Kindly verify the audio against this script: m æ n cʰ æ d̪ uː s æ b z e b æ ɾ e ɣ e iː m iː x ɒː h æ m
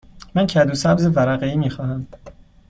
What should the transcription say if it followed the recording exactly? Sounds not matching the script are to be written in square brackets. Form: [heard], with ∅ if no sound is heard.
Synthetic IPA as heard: m æ n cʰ æ d̪ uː s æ b z e [v] æ ɾ [æ] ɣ e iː m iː x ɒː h æ m